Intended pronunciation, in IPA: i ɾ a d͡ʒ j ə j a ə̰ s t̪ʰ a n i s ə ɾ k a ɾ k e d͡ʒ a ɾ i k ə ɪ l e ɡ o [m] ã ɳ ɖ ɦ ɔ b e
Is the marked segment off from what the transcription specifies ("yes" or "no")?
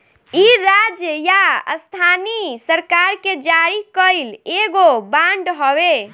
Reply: yes